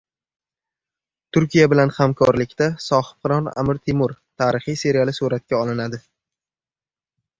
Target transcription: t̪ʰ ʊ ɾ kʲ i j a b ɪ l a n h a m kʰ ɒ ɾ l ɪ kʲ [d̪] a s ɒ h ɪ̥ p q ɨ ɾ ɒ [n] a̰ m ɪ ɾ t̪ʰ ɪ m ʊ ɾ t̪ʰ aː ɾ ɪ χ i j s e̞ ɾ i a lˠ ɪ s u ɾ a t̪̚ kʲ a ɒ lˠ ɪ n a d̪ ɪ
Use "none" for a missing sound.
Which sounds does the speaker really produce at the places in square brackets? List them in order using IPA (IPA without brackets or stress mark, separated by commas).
t̪, n